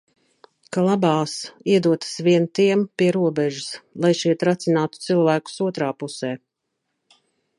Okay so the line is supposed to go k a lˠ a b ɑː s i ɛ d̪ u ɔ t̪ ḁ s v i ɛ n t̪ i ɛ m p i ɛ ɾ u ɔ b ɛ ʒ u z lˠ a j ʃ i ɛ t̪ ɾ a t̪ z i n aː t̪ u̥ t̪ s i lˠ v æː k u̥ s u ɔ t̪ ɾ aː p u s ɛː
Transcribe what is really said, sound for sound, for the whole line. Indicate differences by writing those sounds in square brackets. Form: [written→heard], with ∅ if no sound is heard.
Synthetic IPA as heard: k a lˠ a b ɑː s i ɛ d̪ u ɔ t̪ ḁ s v i ɛ n t̪ i ɛ m p i ɛ ɾ u ɔ b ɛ ʒ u [z→s] lˠ a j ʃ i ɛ t̪ ɾ a t̪ [z→s] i n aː t̪ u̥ t̪ s i lˠ v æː k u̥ s u ɔ t̪ ɾ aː p u s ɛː